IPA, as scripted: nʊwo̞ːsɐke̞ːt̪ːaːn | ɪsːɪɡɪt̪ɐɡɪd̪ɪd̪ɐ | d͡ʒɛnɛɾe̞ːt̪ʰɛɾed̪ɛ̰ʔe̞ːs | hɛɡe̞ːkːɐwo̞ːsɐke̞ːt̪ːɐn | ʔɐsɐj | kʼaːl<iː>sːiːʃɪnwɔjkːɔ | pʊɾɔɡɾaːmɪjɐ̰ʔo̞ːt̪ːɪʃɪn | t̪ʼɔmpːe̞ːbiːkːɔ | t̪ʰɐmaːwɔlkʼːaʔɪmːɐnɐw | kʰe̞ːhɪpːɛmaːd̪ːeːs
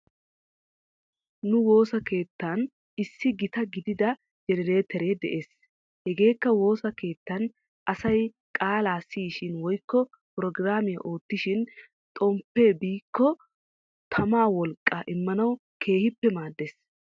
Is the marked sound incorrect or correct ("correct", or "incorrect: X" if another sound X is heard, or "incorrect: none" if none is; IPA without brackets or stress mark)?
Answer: incorrect: aː